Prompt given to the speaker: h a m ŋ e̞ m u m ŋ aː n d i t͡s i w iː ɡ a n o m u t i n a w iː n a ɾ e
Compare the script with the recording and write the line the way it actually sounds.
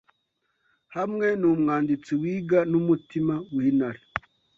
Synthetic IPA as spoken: h a m ŋ e̞ n u m ŋ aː n d i t͡s i w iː ɡ a n u m u t i m a w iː n a ɾ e